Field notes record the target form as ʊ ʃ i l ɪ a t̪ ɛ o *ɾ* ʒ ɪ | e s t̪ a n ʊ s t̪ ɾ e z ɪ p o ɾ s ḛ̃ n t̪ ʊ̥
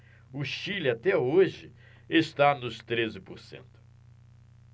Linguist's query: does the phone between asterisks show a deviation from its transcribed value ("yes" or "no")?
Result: yes